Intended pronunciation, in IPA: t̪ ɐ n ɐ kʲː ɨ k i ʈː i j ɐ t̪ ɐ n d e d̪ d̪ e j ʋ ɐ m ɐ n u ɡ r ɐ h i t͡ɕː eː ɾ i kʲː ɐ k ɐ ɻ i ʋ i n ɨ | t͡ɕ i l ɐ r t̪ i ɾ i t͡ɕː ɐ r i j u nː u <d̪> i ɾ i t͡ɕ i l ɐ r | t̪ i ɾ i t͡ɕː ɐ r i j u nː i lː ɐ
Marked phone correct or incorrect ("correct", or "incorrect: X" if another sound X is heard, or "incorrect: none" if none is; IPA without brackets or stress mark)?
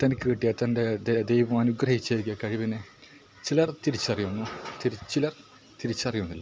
incorrect: t̪